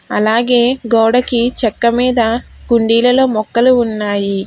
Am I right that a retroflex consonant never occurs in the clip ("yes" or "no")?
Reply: no